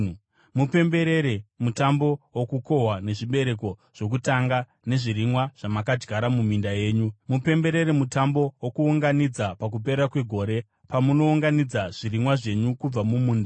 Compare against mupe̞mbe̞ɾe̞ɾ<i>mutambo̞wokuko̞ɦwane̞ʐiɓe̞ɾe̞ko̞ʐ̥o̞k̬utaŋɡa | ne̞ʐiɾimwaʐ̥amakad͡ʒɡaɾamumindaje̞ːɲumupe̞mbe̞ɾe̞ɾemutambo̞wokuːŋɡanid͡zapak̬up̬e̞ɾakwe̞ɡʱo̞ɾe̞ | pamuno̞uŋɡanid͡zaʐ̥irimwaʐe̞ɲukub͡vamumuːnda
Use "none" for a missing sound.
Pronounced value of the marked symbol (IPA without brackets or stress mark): e